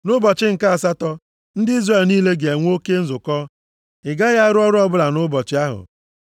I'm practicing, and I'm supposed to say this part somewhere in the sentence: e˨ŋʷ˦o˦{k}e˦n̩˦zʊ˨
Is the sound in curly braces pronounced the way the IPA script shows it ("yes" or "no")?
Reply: yes